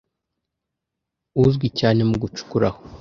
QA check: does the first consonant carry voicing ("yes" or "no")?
yes